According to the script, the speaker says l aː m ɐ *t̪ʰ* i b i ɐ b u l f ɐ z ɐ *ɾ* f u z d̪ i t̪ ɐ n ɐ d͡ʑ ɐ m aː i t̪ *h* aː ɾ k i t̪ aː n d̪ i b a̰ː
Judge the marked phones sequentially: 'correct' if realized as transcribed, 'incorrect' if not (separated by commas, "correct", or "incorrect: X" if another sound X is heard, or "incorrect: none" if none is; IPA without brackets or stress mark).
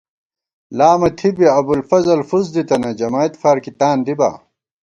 correct, incorrect: l, incorrect: f